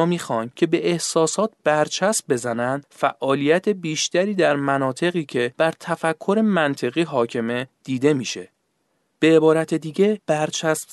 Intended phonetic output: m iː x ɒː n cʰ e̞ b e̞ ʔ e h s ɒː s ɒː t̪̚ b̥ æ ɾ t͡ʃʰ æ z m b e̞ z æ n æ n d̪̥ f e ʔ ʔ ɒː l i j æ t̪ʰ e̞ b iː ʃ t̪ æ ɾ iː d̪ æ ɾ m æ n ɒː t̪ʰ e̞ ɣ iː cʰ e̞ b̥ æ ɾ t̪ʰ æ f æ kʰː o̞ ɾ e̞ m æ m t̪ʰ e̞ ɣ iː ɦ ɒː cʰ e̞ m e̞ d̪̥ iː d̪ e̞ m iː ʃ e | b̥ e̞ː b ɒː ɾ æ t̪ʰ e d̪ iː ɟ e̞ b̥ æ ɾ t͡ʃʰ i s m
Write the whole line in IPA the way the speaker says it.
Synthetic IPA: m iː x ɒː n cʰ e̞ b e̞ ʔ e h s ɒː s ɒː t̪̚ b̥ æ ɾ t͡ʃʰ æ s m b e̞ z æ n æ n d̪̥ f æ ʔ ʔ ɒː l i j æ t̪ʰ e̞ b iː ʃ t̪ æ ɾ iː d̪ æ ɾ m æ n ɒː t̪ʰ e̞ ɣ iː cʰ e̞ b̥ æ ɾ t̪ʰ æ f æ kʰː o̞ ɾ e̞ m æ n t̪ʰ e̞ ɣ iː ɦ ɒː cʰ e̞ m e̞ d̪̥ iː d̪ e̞ m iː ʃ e | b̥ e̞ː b ɒː ɾ æ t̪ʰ e d̪ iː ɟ e̞ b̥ æ ɾ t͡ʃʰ æ s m